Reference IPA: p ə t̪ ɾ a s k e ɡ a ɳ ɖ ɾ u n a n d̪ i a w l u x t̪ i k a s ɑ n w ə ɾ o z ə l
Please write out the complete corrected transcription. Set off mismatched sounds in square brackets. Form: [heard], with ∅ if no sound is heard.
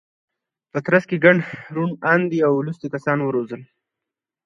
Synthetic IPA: p ə t̪ ɾ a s k e ɡ a ɳ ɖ ɾ u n a n d̪ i a w l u [s] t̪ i k a s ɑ n w ə ɾ o z ə l